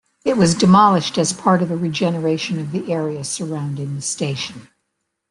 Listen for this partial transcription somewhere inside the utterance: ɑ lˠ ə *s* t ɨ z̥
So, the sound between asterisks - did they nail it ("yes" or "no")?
no